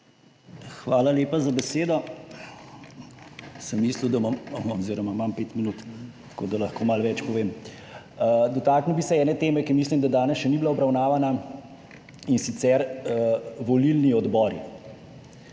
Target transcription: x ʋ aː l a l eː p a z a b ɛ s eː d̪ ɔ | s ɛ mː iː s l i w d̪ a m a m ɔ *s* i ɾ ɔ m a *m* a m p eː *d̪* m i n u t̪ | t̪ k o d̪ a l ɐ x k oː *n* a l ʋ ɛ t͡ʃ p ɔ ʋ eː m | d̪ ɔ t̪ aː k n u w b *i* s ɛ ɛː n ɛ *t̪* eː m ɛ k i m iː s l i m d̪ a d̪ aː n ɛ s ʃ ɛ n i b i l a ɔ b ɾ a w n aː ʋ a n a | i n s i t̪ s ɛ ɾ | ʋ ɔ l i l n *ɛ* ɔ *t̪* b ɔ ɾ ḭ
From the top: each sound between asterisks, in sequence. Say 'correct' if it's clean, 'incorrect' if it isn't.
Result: incorrect: z, correct, incorrect: t̪, incorrect: m, correct, correct, incorrect: i, incorrect: d̪

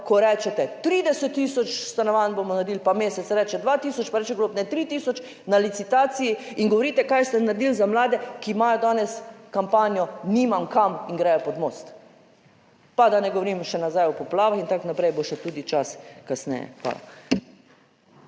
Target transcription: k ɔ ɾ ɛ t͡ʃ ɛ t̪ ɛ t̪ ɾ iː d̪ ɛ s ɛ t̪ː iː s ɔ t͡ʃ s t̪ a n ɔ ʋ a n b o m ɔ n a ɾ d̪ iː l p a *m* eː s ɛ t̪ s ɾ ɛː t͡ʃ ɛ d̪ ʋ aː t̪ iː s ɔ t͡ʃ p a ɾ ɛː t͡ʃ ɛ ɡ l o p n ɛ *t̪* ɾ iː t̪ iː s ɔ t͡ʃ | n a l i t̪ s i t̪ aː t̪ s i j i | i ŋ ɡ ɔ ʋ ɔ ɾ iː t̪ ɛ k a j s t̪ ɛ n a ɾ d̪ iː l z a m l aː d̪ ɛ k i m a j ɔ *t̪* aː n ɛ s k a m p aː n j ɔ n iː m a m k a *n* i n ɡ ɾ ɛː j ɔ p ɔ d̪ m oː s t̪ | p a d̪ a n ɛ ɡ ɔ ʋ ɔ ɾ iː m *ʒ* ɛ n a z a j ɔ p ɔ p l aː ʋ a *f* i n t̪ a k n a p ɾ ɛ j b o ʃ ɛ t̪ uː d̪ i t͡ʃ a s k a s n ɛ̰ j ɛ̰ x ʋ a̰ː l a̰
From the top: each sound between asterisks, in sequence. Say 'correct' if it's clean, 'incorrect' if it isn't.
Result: correct, correct, incorrect: d̪, incorrect: m, incorrect: ʃ, incorrect: x

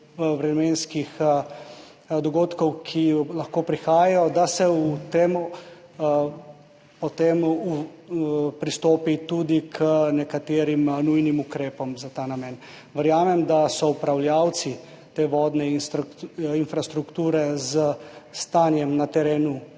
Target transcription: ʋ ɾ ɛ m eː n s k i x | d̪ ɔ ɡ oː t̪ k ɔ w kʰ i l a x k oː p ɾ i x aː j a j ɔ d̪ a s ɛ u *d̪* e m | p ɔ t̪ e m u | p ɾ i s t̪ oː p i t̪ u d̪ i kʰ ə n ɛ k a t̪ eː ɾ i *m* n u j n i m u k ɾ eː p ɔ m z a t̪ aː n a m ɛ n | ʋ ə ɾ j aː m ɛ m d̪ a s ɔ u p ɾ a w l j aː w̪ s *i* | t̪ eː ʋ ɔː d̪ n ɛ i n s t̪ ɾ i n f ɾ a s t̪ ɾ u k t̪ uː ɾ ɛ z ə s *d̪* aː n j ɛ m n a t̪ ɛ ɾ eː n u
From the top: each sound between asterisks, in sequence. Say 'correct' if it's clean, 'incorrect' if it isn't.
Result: incorrect: t̪, correct, correct, incorrect: t̪

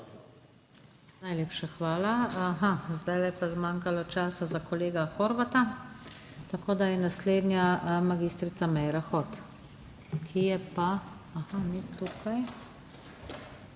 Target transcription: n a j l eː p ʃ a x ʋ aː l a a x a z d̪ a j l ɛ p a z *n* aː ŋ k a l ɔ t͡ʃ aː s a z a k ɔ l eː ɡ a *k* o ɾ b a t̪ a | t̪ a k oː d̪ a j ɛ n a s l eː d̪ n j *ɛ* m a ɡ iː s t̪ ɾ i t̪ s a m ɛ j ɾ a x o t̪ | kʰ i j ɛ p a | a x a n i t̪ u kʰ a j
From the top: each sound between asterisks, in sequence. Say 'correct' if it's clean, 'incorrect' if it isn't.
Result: incorrect: m, incorrect: x, incorrect: a

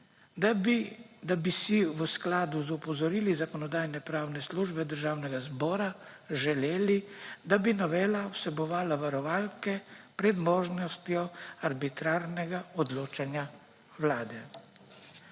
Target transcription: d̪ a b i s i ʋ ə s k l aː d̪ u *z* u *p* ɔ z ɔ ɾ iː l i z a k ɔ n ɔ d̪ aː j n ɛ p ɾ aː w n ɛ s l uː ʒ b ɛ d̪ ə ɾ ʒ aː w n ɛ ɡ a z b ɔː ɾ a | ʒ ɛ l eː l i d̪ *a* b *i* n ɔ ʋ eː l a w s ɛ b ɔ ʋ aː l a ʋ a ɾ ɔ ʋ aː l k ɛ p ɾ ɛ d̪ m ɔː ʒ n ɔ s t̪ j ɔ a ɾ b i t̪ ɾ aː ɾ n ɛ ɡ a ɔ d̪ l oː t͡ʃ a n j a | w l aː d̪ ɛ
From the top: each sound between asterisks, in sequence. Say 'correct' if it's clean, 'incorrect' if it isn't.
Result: correct, correct, correct, correct

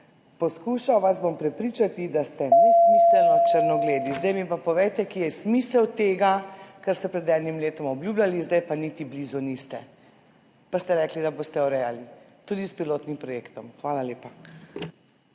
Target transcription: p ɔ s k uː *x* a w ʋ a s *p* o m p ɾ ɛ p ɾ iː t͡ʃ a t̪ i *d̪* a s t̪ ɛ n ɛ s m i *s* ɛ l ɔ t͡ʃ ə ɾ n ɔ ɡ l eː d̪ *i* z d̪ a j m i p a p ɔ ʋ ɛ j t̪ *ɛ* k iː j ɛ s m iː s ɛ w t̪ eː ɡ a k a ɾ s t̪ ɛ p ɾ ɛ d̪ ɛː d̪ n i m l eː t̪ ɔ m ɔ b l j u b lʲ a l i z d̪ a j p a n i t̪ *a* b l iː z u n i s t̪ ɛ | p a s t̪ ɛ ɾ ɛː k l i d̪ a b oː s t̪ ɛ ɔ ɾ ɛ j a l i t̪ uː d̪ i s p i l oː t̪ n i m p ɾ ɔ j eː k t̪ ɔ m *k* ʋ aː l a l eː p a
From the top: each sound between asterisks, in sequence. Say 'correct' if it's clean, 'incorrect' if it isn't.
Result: incorrect: ʃ, incorrect: b, correct, correct, correct, correct, incorrect: i, incorrect: x

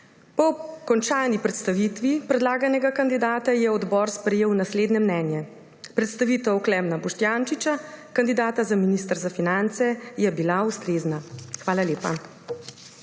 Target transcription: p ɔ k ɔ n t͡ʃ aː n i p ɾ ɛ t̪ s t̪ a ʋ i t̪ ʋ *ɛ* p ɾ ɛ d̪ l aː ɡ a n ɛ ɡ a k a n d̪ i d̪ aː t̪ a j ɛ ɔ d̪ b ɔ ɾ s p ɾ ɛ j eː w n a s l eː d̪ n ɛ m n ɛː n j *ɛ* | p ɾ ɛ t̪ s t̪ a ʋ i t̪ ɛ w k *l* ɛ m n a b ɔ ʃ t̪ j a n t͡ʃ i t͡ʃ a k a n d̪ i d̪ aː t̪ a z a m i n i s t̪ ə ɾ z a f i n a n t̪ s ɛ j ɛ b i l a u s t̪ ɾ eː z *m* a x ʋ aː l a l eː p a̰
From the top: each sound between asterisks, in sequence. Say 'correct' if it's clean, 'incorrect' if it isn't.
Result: incorrect: i, correct, correct, incorrect: n

